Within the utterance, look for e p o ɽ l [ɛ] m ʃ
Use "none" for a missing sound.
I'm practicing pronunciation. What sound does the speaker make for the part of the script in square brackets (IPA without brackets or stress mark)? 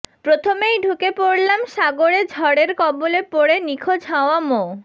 a